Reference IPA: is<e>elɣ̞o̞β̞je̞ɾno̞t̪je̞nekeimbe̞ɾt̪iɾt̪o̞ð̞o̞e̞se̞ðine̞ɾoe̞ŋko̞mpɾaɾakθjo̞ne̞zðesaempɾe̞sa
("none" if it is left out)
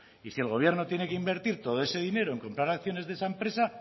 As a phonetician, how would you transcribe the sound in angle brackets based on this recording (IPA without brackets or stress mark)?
i